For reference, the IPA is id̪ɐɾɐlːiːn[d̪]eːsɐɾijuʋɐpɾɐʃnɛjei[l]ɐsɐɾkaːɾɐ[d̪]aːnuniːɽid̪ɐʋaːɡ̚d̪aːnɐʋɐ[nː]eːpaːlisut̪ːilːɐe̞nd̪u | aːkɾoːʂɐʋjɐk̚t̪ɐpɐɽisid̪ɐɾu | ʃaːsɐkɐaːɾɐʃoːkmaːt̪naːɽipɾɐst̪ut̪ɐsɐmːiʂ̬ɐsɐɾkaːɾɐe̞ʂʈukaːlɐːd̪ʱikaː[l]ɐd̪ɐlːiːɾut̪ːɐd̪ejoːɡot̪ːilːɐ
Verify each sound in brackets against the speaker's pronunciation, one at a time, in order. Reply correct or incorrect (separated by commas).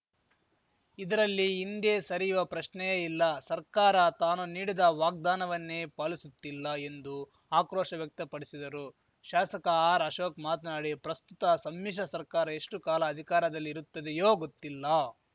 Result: correct, incorrect, incorrect, correct, incorrect